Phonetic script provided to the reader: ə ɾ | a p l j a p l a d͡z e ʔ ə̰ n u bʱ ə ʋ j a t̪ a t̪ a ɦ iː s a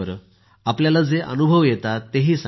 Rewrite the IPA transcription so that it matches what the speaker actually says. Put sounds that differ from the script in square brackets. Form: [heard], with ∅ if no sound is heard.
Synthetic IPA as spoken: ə ɾ | a p l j a [∅] l a d͡z e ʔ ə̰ n u bʱ ə ʋ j [e] t̪ a t̪ [e] ɦ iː s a